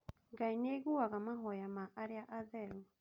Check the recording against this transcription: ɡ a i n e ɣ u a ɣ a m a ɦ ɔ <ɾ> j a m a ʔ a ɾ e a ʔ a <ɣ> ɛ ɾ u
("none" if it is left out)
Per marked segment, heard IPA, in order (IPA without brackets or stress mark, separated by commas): none, ð